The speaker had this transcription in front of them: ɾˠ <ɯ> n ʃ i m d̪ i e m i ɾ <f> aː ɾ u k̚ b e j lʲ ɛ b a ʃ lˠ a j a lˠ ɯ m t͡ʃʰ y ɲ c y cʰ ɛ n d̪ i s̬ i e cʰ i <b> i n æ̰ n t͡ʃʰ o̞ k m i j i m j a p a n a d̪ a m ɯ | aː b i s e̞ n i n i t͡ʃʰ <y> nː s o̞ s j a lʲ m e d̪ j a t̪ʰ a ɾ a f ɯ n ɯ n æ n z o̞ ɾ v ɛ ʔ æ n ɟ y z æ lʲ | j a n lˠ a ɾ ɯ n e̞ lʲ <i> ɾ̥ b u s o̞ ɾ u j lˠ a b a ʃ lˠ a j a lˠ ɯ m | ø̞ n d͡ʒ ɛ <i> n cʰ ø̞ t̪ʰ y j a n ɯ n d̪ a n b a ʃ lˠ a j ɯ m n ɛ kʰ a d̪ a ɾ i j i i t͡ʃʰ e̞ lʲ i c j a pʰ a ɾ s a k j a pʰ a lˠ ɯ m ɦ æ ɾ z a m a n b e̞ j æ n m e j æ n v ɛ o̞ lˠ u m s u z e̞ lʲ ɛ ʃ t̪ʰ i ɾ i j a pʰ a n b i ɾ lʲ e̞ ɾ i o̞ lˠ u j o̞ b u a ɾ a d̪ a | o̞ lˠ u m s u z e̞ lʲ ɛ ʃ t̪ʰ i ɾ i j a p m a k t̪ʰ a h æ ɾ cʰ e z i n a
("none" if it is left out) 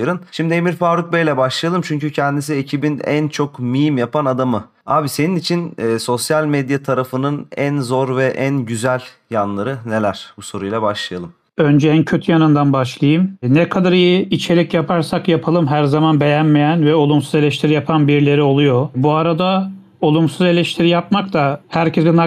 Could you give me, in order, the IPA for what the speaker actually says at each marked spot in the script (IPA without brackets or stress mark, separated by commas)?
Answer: ɯ, f, b, i, æ, æ